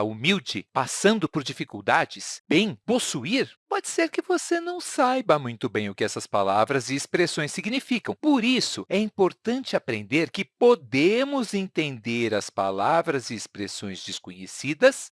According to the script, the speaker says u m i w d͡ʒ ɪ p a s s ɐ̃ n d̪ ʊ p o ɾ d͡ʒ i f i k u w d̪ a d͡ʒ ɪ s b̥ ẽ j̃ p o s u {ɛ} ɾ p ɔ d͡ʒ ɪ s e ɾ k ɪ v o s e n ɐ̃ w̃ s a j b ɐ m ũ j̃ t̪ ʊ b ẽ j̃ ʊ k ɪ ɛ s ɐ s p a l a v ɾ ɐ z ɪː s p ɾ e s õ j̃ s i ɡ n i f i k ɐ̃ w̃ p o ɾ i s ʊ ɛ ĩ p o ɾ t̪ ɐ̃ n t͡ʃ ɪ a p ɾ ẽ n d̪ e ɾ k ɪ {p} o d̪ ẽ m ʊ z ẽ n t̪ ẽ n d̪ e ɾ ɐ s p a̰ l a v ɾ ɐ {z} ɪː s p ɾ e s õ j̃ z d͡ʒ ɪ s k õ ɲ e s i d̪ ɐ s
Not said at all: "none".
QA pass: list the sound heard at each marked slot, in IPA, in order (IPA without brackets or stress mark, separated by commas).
i, p, z